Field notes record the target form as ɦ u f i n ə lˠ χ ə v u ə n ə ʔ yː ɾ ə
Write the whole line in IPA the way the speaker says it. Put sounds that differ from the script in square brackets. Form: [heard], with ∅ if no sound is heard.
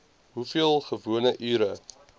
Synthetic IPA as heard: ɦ u f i [∅] ə lˠ χ ə v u ə n ə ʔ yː ɾ ə